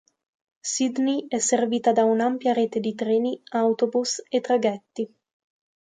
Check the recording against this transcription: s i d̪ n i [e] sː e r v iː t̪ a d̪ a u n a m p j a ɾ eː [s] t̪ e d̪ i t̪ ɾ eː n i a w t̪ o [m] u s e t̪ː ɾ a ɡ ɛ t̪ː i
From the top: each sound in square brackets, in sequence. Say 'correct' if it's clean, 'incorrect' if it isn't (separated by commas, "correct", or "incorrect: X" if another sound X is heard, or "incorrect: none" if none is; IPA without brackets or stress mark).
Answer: incorrect: ɛ, incorrect: none, incorrect: b